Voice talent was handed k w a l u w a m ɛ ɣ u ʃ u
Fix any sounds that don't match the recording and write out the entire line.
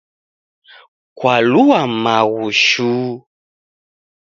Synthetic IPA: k w a l u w a m a ɣ u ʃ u